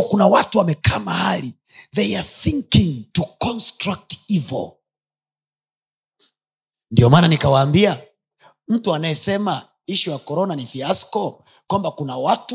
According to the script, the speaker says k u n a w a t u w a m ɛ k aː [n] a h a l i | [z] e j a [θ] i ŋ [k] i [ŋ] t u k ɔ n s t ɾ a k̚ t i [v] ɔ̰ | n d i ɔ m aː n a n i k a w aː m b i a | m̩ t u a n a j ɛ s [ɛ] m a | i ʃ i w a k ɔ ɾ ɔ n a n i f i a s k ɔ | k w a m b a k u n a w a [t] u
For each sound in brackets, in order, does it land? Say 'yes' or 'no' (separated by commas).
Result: no, no, yes, yes, yes, yes, yes, yes